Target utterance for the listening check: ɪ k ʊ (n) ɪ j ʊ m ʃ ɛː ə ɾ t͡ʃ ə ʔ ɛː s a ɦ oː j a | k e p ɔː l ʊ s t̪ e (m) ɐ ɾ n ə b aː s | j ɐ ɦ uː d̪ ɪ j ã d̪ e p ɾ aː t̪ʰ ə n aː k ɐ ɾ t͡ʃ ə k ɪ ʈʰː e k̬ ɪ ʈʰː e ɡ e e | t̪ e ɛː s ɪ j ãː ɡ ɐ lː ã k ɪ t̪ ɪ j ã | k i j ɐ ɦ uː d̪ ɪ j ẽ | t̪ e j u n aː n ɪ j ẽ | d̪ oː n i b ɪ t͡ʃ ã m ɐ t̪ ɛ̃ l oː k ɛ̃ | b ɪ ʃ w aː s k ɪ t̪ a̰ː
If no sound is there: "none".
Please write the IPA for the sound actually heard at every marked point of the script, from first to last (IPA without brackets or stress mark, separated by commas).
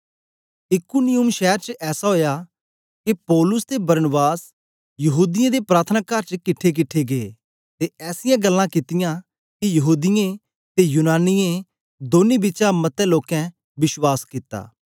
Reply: n, b